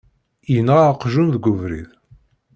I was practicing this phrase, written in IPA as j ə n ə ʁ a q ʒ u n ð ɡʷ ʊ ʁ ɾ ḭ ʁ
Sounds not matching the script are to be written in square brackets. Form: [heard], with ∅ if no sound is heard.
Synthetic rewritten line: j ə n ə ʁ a q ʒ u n ð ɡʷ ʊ [v] ɾ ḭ [ð]